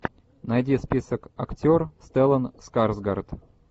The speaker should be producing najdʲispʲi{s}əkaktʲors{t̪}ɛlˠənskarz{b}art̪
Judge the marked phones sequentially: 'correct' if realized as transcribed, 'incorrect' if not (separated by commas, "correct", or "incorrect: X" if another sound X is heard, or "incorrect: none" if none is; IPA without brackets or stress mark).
correct, correct, incorrect: ɡ